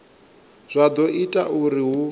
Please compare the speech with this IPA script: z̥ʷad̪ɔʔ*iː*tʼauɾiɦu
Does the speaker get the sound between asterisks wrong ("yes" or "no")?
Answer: yes